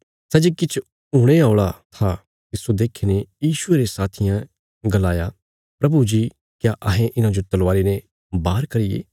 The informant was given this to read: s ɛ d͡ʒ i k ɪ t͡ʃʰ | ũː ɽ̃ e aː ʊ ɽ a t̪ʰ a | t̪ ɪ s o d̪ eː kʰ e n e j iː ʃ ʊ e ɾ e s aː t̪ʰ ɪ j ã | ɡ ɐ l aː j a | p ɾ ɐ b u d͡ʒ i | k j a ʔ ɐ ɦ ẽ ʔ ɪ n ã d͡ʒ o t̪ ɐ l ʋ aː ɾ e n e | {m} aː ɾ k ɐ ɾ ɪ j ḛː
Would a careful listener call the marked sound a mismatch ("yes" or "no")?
yes